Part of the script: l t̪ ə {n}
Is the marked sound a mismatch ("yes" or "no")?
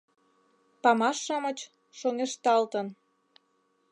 no